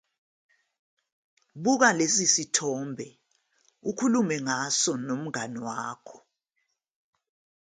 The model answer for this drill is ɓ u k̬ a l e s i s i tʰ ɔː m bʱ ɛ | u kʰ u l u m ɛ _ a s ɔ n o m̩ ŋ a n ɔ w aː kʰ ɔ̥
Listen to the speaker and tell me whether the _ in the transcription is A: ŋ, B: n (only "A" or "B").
A